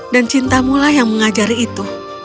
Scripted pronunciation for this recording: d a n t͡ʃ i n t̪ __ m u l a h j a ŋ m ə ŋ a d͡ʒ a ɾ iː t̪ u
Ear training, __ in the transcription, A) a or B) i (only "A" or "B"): A